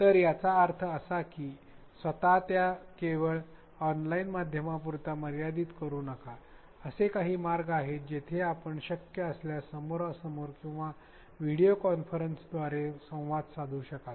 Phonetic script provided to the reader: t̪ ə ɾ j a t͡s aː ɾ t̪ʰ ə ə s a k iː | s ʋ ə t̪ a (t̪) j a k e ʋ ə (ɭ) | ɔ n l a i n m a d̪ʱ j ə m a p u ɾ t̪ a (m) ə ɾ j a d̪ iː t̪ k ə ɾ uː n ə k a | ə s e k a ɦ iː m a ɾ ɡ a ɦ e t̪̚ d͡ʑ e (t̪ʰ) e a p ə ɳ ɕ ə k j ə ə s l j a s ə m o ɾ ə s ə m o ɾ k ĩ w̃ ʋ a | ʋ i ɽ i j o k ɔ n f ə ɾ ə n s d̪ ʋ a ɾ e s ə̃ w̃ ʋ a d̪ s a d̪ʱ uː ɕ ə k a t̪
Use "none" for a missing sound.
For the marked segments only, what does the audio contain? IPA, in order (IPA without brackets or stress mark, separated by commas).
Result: t̪, ɭ, m, t̪ʰ